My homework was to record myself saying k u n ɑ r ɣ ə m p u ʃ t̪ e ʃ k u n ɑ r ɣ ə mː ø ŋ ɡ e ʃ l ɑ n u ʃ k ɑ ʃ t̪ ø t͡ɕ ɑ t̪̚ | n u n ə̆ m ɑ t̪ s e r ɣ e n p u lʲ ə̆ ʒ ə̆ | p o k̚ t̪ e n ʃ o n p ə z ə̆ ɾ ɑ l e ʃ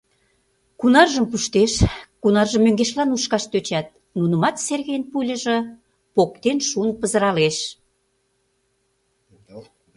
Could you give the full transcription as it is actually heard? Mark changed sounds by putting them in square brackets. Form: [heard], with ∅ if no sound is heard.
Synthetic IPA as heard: k u n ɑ r [ʒ] ə m p u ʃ t̪ e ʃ k u n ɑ r [ʒ] ə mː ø ŋ ɡ e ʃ l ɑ n u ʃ k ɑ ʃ t̪ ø t͡ɕ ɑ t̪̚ | n u n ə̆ m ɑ t̪ s e r ɣ e n p u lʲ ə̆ ʒ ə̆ | p o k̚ t̪ e n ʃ [u] n p ə z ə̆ ɾ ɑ l e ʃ